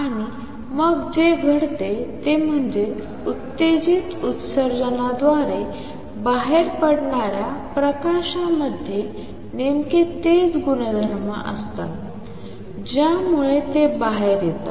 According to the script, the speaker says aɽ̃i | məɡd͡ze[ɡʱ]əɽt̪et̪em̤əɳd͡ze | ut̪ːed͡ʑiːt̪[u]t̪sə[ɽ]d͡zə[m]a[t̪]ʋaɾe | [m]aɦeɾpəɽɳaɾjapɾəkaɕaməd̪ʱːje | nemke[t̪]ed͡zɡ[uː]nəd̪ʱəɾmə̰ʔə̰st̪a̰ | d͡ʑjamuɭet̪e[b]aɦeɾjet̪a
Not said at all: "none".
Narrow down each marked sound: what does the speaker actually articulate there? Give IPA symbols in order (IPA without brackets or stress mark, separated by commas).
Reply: ɡʱ, u, ɾ, n, d̪, b, t̪, u, b